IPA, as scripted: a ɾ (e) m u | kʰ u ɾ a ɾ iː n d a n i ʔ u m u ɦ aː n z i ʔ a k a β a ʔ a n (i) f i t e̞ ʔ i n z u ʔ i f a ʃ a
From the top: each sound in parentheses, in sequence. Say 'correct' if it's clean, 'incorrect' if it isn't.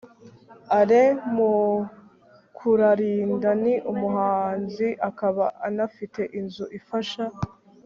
correct, incorrect: a

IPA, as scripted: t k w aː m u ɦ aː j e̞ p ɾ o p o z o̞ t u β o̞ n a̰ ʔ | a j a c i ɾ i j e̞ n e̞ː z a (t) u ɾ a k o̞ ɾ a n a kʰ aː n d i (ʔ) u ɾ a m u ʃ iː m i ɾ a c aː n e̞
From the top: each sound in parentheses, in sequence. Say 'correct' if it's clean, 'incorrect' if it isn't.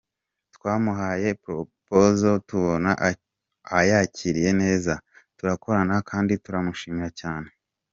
correct, incorrect: t

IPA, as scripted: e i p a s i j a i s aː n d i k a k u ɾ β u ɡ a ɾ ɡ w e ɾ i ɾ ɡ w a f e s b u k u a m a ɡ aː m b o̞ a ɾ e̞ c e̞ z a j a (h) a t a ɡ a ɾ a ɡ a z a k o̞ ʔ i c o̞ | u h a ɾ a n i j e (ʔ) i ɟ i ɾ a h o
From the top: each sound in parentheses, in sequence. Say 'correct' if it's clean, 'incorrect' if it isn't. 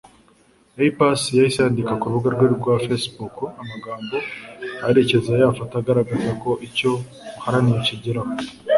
incorrect: f, incorrect: c

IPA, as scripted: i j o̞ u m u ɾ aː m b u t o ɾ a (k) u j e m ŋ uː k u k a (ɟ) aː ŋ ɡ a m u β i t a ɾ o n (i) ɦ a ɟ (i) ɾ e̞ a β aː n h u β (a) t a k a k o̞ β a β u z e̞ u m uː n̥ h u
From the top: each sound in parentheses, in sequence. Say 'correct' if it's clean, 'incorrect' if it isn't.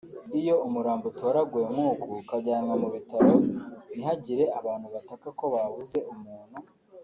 incorrect: ɡ, correct, correct, correct, correct

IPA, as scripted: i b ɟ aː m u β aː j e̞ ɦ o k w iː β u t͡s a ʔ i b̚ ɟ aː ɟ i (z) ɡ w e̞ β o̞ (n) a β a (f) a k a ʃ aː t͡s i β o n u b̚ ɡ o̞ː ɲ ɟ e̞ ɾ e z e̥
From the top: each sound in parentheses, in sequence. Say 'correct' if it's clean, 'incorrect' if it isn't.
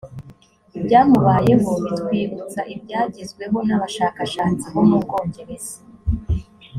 correct, correct, incorrect: ʃ

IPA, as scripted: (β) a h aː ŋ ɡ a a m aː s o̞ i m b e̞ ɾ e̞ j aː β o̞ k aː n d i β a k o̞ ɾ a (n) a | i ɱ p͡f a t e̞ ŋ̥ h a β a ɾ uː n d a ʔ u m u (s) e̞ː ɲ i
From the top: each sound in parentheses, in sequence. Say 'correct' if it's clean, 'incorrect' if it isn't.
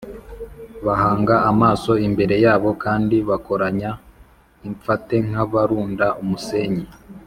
correct, incorrect: ɲ, correct

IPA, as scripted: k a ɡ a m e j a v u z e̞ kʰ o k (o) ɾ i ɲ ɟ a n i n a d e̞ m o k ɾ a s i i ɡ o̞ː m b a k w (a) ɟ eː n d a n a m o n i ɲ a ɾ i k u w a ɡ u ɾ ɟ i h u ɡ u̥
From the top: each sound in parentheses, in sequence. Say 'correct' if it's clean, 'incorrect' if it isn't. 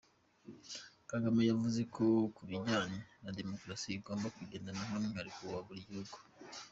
incorrect: u, incorrect: i

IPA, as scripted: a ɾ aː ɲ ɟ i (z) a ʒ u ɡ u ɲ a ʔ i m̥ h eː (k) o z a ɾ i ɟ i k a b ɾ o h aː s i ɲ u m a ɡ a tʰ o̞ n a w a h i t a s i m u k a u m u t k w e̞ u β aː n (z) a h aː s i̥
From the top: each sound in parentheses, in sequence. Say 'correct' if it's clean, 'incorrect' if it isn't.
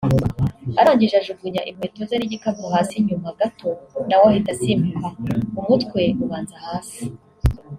incorrect: ʒ, incorrect: t, correct

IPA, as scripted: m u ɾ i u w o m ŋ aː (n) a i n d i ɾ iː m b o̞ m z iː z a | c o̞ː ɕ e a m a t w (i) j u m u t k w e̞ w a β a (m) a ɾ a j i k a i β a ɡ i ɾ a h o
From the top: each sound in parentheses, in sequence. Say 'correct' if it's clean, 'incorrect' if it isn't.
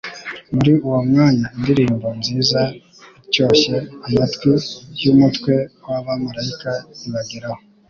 incorrect: ɲ, correct, correct

